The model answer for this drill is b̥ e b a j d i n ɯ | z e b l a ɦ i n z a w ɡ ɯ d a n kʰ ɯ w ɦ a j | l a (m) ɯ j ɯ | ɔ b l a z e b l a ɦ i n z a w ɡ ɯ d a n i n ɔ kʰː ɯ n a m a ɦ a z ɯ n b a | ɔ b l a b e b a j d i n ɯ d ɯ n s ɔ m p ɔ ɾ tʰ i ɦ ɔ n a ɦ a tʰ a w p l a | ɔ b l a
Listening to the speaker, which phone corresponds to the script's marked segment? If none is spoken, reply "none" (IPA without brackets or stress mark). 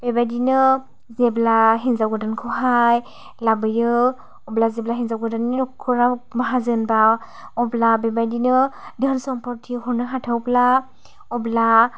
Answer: b